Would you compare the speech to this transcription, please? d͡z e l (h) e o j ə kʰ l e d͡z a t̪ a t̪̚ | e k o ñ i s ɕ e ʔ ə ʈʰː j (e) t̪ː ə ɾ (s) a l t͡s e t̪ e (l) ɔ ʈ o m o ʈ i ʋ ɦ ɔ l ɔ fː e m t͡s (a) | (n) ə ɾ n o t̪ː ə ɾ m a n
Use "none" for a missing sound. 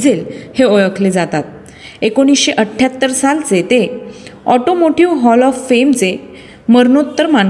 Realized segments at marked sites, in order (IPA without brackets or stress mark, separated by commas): h, a, s, none, e, m